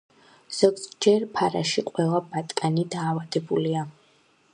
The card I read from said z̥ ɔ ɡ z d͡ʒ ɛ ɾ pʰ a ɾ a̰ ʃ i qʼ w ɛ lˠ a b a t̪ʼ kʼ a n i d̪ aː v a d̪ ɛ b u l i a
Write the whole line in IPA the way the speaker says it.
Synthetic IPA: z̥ ɔ ɡ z d͡ʒ ɛ ɾ pʰ a ɾ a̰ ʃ i qʼ w ɛ lˠ a b a t̪ʼ kʼ a n i d̪ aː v a d̪ ɛ b u l i a